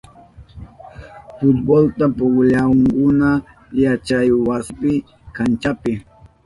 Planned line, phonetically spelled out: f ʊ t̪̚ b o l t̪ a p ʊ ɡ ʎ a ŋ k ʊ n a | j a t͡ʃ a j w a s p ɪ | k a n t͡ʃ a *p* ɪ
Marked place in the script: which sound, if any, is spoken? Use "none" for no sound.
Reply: p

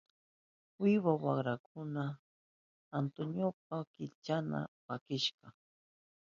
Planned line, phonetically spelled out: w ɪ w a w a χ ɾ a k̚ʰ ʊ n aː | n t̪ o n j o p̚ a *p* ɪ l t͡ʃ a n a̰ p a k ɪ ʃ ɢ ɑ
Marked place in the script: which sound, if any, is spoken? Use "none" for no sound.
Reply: k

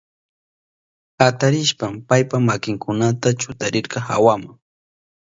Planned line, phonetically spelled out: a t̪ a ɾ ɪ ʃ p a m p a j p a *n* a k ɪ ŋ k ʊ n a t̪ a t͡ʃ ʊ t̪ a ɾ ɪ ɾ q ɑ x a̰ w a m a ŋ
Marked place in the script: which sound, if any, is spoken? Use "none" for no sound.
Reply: m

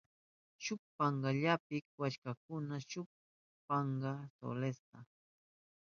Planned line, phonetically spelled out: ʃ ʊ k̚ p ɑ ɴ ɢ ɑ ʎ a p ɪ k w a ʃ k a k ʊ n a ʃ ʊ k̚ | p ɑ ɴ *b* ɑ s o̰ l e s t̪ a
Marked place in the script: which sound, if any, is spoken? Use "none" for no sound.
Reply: ɢ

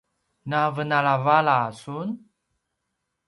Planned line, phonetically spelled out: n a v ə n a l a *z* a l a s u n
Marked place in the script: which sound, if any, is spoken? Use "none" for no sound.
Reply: v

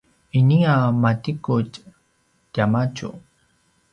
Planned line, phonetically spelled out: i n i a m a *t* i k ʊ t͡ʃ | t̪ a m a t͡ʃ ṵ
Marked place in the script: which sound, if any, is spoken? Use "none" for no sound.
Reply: t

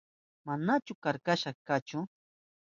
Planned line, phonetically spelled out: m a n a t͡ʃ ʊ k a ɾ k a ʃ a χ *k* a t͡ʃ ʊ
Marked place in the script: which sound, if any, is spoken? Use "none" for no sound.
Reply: k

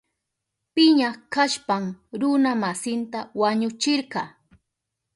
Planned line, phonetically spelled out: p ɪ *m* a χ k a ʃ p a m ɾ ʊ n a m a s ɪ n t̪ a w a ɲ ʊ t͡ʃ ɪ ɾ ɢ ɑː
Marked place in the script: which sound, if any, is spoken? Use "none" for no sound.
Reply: ɲ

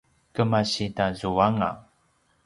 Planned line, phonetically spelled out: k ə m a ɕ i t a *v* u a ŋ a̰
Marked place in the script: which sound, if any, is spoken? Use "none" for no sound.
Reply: z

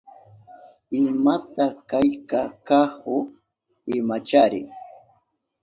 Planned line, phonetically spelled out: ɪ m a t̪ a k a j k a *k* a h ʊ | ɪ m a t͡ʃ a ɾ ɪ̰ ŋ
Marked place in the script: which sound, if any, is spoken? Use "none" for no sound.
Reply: k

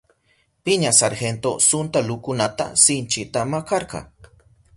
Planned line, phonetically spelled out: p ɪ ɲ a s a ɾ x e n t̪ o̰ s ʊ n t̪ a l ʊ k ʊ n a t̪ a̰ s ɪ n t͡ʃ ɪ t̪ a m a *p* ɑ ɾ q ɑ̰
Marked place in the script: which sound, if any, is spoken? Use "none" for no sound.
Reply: k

